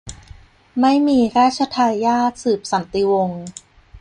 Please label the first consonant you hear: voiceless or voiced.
voiced